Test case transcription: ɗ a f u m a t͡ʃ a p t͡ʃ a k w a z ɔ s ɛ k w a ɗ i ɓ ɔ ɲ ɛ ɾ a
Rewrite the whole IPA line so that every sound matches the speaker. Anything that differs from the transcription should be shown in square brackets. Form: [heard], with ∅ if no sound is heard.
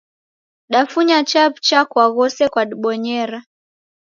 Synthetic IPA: ɗ a f u [ɲ] a t͡ʃ a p t͡ʃ a k w a [ɣ] ɔ s ɛ k w a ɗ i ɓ ɔ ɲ ɛ ɾ a